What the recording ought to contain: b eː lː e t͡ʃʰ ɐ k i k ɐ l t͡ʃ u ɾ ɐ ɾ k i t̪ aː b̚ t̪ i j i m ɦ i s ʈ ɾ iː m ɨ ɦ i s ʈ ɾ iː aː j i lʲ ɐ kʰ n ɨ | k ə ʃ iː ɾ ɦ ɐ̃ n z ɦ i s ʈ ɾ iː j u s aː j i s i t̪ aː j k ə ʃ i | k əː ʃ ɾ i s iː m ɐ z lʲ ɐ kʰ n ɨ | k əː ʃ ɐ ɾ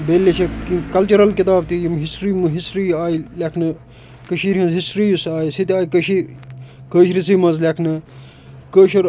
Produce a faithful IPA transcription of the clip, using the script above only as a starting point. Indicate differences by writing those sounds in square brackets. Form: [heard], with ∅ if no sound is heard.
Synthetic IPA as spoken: b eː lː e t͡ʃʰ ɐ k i k ɐ l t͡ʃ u ɾ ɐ [l] k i t̪ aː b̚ t̪ i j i m ɦ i s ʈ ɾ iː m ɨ ɦ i s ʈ ɾ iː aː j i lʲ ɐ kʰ n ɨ | k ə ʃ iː ɾ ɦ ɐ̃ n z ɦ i s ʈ ɾ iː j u s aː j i s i t̪ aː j k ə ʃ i | k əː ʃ ɾ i s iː m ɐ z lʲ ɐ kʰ n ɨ | k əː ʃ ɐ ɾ